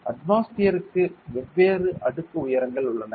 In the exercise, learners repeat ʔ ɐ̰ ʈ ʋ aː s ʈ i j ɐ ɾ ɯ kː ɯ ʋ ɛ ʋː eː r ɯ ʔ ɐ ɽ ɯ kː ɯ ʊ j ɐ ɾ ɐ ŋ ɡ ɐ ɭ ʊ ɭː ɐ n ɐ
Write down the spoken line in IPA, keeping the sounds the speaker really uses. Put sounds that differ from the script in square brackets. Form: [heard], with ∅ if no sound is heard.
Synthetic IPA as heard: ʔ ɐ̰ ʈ ʋ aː s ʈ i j ɐ ɾ ɯ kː ɯ ʋ ɛ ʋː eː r ɯ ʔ ɐ ɽ ɯ kː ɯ ʊ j ɐ ɾ ɐ ŋ ɡ ɐ ɭ ʊ ɭː ɐ n ɐ